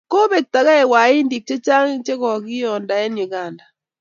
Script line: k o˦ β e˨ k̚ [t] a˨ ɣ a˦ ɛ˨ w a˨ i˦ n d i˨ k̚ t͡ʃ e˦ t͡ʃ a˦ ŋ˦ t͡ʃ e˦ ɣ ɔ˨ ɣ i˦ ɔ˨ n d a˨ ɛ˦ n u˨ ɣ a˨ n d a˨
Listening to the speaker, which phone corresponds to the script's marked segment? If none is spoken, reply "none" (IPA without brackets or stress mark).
t